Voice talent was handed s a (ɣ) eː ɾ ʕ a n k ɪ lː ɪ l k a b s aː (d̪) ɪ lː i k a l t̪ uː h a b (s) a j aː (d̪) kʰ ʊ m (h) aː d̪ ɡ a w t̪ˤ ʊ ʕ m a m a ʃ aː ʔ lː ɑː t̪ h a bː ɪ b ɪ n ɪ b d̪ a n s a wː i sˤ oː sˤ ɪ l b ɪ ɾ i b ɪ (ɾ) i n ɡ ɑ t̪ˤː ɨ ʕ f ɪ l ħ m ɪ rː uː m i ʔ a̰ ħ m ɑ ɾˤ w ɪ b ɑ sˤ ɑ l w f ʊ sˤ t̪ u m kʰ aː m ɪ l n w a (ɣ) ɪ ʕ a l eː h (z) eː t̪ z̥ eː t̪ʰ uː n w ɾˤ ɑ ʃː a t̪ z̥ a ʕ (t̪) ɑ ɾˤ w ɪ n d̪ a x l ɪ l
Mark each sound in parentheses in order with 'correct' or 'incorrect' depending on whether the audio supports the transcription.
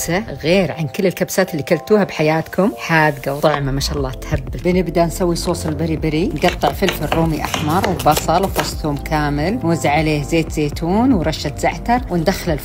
correct, incorrect: t̪, incorrect: ħ, incorrect: t̪, incorrect: ħ, correct, incorrect: z, correct, correct

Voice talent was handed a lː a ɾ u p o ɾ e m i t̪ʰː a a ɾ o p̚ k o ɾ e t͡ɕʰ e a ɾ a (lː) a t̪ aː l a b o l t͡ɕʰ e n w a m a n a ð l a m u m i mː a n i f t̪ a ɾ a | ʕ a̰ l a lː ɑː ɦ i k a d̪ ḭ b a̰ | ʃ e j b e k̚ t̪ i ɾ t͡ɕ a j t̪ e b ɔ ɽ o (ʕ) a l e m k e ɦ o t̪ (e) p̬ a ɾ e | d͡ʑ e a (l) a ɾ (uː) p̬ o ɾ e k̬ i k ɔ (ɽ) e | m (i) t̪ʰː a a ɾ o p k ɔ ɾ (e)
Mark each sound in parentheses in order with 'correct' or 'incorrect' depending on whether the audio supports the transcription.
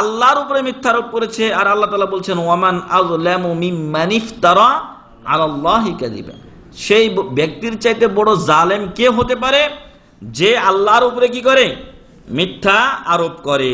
correct, incorrect: z, correct, incorrect: lː, incorrect: u, incorrect: ɾ, correct, correct

